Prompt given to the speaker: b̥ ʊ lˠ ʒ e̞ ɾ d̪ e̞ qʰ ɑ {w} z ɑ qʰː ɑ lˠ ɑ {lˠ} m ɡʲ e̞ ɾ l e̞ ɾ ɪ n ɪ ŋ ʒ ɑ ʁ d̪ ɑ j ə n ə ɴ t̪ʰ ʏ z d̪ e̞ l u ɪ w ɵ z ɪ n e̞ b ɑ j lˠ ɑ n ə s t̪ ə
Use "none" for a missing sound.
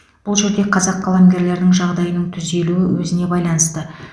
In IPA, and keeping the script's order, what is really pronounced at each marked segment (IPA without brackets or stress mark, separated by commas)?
none, none